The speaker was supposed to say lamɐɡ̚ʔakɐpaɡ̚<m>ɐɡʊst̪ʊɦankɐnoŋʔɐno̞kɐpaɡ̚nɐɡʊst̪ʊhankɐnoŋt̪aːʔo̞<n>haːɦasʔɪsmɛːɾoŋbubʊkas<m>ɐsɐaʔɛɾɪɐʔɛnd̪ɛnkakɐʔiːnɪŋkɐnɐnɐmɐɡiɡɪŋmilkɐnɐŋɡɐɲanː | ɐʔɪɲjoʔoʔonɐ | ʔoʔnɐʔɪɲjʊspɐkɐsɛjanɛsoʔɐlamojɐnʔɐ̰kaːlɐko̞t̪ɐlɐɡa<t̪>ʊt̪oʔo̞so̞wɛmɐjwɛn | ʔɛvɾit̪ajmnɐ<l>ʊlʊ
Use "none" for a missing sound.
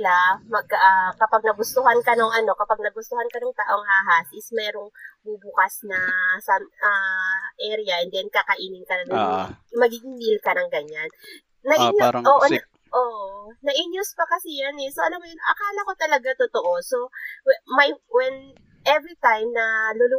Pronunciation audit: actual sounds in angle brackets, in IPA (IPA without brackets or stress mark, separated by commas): n, ŋ, n, t̪, l